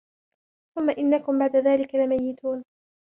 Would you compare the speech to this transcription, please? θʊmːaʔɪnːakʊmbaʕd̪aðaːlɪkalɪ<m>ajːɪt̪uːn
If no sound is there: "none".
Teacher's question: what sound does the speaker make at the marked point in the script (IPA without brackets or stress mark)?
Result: m